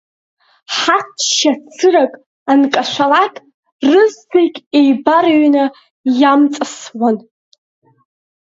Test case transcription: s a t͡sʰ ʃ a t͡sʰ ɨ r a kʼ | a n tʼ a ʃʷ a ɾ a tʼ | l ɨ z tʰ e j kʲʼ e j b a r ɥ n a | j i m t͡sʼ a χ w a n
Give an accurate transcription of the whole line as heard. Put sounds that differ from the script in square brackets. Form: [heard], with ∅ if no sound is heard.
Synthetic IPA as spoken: [ħ] a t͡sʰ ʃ a t͡sʰ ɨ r a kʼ | a n [kʼ] a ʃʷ a [l] a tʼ | [r] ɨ z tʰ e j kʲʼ e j b a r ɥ n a | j [a] m t͡sʼ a [s] w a n